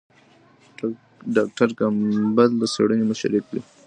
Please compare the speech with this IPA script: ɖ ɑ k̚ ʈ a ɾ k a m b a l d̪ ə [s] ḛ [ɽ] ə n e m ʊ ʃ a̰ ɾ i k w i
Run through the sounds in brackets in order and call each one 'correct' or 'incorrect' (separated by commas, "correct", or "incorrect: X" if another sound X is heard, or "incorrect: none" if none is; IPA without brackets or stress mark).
correct, correct